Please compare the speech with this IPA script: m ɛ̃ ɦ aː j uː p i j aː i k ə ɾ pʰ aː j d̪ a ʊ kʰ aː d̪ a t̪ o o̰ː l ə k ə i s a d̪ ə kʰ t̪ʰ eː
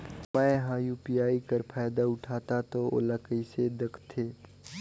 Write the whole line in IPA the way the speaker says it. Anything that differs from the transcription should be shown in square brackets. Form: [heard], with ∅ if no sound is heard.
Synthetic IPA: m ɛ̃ ɦ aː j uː p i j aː i k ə ɾ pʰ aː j d̪ a ʊ [ʈʰ] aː [t̪] a t̪ o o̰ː l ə k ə i s [e] d̪ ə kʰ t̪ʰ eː